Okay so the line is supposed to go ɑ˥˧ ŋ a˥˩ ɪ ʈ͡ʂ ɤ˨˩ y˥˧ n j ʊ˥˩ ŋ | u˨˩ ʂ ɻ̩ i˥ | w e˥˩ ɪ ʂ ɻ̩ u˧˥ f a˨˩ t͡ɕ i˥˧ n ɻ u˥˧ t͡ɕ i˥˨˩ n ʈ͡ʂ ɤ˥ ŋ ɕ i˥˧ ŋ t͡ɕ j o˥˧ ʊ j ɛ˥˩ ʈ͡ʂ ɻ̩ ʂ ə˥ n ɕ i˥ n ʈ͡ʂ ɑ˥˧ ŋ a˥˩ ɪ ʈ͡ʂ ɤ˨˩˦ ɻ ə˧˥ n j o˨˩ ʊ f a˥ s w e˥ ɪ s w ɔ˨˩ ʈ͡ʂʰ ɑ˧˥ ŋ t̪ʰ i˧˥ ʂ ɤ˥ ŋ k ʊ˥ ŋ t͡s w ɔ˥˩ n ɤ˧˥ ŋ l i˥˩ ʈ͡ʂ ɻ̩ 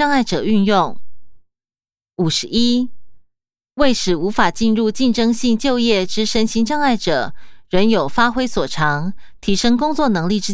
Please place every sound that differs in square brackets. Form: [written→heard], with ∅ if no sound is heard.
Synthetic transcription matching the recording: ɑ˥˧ ŋ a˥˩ ɪ ʈ͡ʂ ɤ˨˩ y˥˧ n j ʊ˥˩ ŋ | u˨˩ ʂ ɻ̩ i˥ | w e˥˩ ɪ ʂ ɻ̩ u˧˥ f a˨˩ t͡ɕ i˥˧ n ɻ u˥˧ t͡ɕ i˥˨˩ n ʈ͡ʂ ɤ˥ ŋ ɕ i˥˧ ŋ t͡ɕ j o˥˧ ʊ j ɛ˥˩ ʈ͡ʂ ɻ̩ ʂ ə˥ n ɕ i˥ n ʈ͡ʂ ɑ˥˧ ŋ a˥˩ ɪ ʈ͡ʂ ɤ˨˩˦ ɻ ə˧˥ n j o˨˩ ʊ f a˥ [s→x] w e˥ ɪ s w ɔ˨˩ ʈ͡ʂʰ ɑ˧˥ ŋ t̪ʰ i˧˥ ʂ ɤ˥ ŋ k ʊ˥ ŋ t͡s w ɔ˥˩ n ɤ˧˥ ŋ l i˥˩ ʈ͡ʂ ɻ̩